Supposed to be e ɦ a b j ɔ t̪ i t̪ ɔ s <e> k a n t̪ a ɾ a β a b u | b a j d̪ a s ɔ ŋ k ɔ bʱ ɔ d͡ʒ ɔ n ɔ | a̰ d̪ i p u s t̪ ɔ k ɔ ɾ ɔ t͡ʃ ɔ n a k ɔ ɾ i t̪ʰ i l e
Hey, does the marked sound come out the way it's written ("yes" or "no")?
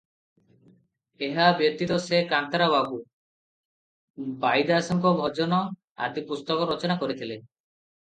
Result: yes